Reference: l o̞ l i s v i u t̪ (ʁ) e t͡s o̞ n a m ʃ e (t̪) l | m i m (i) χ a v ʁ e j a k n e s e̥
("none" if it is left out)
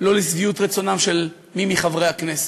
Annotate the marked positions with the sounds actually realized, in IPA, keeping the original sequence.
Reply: ʁ, none, i

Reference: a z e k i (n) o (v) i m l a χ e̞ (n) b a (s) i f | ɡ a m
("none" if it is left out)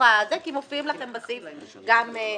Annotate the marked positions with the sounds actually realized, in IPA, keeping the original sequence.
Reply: m, f, m, s

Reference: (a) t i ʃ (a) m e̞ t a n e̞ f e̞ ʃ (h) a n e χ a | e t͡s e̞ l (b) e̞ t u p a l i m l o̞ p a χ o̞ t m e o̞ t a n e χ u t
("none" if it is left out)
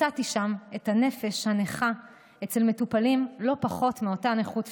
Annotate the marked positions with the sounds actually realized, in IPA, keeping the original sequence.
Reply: a, a, h, m

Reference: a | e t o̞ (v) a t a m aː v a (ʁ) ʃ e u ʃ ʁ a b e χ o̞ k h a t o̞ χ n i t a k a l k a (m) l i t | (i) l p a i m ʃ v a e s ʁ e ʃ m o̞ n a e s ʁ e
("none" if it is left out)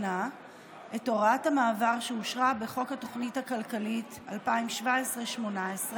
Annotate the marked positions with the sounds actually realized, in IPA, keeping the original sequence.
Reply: ʁ, ʁ, none, a

